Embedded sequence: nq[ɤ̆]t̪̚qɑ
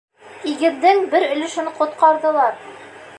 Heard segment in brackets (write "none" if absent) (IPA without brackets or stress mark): ŏ